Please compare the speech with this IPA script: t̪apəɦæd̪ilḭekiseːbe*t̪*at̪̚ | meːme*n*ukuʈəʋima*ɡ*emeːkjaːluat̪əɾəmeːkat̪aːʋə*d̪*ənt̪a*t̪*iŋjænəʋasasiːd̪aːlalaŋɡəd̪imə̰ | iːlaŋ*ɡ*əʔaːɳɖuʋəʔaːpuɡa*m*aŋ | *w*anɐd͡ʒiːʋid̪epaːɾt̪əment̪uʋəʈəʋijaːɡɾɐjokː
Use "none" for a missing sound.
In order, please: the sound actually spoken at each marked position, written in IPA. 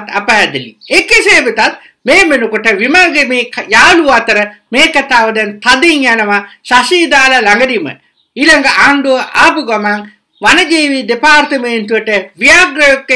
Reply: t̪, n, ɡ, d̪, d̪, ɡ, m, ʋ

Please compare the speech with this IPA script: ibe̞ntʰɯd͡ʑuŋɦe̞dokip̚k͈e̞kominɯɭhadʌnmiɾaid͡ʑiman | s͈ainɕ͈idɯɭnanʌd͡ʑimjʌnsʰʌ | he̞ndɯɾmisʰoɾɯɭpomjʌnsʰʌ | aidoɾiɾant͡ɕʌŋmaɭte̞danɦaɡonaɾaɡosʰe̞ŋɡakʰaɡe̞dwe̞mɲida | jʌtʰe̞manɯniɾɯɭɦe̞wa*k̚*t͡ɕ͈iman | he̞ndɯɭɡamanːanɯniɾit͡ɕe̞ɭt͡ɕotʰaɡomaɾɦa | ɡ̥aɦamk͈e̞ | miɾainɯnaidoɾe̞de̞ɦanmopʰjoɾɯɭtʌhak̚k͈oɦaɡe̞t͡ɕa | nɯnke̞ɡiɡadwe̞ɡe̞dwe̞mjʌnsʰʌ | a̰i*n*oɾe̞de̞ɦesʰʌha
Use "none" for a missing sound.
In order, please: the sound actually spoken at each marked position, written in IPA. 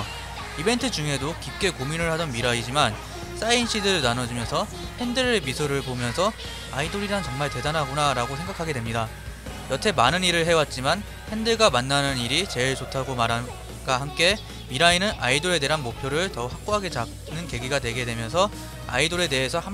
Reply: t̚, d

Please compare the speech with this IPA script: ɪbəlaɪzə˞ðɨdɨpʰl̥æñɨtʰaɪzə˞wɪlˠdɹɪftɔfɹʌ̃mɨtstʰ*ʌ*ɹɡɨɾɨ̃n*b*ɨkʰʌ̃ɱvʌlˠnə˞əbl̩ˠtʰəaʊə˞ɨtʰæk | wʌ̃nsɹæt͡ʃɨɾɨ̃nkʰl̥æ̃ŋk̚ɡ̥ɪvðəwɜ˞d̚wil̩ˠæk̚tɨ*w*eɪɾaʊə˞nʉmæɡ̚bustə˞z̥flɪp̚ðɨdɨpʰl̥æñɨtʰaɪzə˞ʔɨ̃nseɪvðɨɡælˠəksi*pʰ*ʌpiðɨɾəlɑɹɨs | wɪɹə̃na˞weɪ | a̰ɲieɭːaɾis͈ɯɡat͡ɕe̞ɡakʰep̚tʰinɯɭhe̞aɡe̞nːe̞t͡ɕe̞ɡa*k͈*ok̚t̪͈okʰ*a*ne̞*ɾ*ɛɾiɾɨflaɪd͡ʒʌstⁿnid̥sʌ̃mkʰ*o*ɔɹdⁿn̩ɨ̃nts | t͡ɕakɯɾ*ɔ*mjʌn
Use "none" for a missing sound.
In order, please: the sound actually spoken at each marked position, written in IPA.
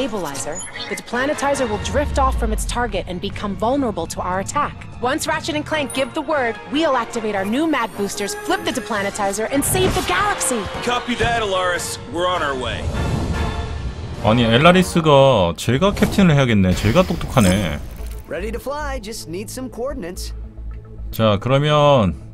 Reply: ɑ, b, v, kʰ, t͈, a, ɹ, o, ʌ

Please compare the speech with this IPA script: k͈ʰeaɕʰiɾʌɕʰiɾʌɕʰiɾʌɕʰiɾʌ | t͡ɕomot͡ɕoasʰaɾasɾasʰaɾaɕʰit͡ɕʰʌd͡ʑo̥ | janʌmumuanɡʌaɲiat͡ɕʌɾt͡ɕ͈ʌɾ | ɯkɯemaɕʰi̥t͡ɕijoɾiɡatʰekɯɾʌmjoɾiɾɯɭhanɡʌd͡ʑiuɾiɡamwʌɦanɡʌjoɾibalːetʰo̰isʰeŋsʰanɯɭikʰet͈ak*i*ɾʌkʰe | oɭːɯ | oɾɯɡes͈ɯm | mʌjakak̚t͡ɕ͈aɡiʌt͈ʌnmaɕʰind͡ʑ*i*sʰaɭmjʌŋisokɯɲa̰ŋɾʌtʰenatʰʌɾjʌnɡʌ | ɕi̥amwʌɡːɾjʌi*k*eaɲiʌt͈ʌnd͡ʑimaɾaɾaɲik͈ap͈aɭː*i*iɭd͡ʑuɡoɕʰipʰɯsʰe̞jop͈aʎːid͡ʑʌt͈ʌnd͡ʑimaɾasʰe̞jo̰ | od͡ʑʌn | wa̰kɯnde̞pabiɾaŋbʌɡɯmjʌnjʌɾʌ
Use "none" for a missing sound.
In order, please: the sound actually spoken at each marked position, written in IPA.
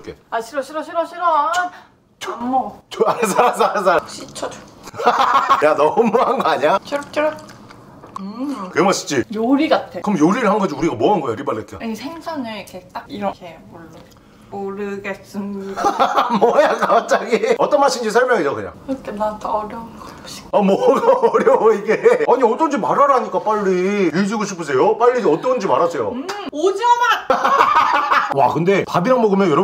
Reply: i, i, ɡ, i

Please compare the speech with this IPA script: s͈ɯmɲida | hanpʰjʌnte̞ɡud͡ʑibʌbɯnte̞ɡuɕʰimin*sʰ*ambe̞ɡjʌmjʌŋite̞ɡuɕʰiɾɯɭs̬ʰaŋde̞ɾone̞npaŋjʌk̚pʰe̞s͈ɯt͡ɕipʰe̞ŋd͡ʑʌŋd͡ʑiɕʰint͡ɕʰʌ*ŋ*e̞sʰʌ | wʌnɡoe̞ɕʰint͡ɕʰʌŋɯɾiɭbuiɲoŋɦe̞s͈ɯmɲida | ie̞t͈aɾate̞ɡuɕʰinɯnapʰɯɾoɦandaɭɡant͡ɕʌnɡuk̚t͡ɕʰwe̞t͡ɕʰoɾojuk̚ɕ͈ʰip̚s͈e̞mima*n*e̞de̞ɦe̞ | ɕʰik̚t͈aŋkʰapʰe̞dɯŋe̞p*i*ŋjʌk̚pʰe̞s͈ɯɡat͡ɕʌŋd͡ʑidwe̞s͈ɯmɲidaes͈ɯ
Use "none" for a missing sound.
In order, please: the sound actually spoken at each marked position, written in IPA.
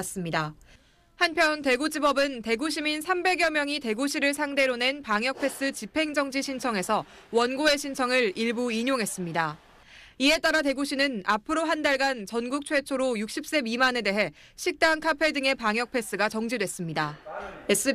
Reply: sʰ, ŋ, n, a

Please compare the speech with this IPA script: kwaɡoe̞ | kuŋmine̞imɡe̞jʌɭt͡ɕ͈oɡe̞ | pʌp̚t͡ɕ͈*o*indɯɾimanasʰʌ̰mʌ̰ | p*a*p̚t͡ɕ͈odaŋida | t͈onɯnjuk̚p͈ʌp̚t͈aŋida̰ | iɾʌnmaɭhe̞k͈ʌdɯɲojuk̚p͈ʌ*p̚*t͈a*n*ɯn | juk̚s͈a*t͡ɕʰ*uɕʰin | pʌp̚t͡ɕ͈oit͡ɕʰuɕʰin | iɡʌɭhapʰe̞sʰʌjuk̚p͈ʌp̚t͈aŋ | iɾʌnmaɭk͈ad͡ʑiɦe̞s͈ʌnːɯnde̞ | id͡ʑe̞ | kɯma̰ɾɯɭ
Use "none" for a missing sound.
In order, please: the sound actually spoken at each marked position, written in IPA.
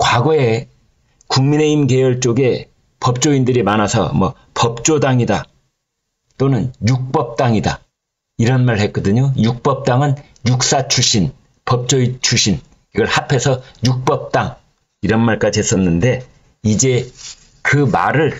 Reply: o, ʌ, p̚, ŋ, t͡ɕʰ

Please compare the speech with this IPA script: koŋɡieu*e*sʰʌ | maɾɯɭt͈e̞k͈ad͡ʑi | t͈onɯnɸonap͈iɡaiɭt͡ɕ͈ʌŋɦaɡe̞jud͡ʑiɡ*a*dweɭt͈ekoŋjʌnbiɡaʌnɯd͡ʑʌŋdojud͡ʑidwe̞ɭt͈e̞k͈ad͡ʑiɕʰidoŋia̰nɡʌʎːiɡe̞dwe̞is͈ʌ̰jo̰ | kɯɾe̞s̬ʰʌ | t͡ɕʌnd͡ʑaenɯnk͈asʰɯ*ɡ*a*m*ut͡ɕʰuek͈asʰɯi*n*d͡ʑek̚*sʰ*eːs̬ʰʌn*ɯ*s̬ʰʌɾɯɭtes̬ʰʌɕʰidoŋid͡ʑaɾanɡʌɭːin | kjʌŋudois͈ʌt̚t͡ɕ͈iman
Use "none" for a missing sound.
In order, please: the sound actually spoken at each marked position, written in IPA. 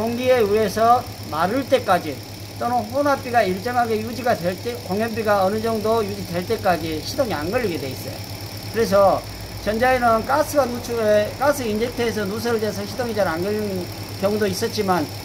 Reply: e, a, ɡ, n, n, tʰ, u

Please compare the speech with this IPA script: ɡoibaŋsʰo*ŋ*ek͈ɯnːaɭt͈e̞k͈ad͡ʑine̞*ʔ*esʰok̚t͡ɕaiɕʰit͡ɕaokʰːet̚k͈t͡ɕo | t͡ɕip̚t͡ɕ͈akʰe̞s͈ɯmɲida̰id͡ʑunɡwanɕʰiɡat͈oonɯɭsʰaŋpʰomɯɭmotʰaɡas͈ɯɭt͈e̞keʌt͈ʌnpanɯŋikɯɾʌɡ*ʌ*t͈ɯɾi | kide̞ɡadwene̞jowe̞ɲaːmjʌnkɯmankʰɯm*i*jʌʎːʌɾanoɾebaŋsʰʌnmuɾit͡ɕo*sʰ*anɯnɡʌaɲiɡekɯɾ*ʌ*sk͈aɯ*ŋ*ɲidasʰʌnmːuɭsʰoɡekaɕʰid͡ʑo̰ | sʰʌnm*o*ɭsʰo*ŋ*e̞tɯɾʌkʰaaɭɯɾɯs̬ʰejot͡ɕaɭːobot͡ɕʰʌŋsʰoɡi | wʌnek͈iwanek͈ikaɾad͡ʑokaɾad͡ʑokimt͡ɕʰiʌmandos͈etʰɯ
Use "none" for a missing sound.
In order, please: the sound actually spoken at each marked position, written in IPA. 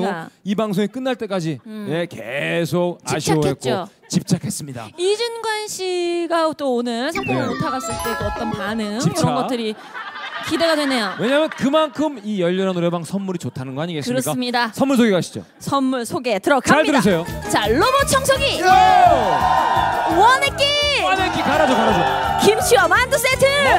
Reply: ŋ, k, ʌ, i, tʰ, ʌ, m, u, ɡ

